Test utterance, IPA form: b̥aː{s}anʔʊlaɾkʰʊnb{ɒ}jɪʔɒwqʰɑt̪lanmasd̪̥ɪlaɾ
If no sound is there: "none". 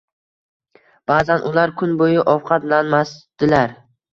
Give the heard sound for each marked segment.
z, o

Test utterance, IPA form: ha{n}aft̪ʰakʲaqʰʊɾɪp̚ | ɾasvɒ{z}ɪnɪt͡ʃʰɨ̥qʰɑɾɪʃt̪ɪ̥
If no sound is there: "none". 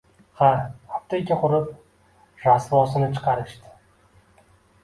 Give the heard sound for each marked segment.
none, s

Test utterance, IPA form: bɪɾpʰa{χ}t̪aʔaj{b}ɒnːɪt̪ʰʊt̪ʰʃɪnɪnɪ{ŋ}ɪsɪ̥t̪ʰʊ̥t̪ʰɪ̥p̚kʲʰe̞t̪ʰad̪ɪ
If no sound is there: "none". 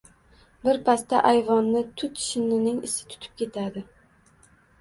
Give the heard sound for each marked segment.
s, v, ŋ

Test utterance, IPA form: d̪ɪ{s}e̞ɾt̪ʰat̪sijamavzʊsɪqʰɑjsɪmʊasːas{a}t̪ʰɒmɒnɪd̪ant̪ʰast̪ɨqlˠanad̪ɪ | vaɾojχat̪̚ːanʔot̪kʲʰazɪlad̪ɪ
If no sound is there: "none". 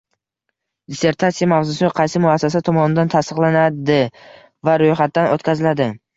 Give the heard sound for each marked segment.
s, a

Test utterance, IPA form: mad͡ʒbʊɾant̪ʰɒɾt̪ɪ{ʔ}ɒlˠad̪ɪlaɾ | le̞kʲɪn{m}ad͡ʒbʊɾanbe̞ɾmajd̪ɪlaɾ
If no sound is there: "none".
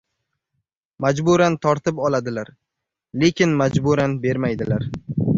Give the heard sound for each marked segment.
p, m

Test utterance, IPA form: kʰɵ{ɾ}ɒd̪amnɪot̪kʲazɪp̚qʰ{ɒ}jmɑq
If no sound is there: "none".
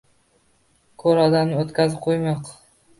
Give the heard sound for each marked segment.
ɾ, o

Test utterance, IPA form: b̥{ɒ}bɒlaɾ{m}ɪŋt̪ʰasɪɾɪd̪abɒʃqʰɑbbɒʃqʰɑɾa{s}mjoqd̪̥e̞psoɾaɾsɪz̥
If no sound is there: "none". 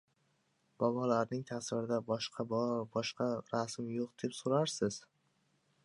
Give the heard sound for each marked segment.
ɒ, n, s

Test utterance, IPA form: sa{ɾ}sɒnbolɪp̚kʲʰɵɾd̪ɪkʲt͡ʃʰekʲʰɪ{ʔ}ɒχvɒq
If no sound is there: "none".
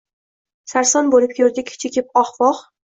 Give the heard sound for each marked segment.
ɾ, p

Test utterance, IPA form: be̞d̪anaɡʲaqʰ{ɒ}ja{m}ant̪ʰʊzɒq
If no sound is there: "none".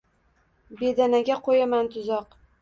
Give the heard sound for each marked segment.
o, m

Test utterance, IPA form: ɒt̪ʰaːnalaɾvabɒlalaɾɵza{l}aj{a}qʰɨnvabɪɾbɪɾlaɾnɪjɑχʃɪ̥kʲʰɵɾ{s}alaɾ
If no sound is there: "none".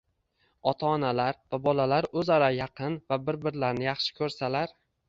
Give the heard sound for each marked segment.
ɾ, ɑ, s

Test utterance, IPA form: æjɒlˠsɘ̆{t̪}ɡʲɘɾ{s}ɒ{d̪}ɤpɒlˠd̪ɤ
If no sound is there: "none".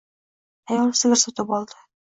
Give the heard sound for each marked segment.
none, s, t̪

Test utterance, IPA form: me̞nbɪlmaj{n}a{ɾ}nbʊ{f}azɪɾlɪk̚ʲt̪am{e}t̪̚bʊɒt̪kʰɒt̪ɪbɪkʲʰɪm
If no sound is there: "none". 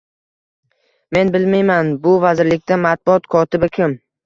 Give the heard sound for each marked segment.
m, none, v, a

